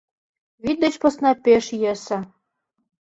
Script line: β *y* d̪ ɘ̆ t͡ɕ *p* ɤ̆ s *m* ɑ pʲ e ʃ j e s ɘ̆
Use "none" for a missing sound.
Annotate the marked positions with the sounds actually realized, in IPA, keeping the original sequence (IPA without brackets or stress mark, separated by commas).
i, p, n